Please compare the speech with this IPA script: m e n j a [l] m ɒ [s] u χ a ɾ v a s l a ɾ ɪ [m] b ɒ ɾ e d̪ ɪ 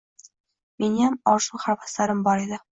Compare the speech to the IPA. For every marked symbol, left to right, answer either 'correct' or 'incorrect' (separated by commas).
incorrect, incorrect, correct